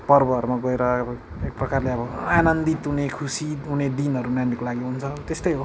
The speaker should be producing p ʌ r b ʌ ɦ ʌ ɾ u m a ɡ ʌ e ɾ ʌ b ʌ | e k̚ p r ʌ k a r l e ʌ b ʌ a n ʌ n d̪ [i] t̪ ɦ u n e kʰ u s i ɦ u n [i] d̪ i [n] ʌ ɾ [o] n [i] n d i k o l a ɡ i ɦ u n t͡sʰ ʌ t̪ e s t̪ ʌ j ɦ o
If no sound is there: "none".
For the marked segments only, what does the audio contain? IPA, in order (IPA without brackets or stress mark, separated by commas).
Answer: i, e, n, u, a